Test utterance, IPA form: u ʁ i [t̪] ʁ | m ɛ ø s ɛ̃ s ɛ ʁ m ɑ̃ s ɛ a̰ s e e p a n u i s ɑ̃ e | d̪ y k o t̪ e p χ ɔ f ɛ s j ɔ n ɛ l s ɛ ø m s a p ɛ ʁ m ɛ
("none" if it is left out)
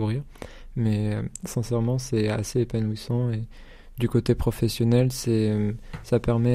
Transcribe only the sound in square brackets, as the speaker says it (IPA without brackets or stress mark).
none